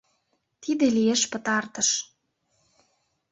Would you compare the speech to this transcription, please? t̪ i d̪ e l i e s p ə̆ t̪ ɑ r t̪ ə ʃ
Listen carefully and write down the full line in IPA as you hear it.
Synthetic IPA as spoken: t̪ i d̪ e l i e ʃ p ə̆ t̪ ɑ r t̪ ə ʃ